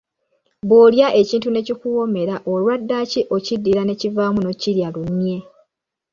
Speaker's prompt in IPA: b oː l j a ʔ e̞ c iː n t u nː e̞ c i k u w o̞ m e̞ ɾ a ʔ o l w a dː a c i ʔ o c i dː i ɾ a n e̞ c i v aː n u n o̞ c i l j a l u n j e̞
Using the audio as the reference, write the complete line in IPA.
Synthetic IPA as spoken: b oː l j a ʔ e̞ c iː n t u n e̞ c i k u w o̞ m e̞ ɾ a ʔ o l w a dː a c i ʔ o c i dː i ɾ a n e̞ c i v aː m u n o̞ c i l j a l u n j e̞